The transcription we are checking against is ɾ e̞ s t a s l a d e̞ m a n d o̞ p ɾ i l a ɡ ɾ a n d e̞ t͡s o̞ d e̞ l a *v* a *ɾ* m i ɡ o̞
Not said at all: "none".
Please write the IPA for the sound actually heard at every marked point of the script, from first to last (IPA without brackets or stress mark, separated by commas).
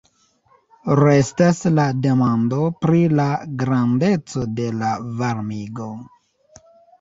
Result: v, ɾ